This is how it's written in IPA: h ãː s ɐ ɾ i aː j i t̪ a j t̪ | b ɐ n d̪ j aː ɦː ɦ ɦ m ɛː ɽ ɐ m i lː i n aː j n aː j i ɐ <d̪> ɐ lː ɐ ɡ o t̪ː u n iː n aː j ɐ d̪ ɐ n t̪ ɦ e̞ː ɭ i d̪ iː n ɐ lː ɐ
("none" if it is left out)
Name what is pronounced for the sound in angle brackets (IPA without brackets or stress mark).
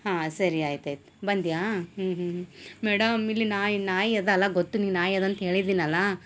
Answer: d̪